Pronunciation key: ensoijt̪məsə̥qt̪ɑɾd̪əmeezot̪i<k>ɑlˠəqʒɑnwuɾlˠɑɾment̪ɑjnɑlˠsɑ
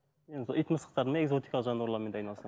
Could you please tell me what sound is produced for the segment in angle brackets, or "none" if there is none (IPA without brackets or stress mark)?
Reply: k